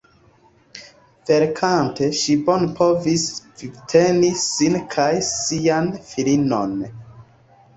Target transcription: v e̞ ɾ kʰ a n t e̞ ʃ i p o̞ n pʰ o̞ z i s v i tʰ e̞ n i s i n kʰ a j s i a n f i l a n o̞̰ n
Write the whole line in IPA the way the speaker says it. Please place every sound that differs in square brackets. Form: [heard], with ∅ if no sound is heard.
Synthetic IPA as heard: v e̞ ɾ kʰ a n t e̞ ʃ i [b] o̞ n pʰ o̞ [v] i s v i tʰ e̞ n i s i n kʰ a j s i a n f i l [i] n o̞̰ n